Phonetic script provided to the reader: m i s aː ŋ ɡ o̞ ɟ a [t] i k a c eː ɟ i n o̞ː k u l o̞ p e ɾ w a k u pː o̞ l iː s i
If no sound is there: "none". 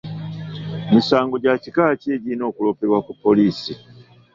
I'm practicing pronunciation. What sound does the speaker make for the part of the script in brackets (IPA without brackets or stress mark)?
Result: c